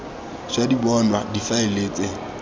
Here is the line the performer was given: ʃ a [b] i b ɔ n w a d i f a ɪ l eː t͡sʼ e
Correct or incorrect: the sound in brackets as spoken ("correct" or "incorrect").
incorrect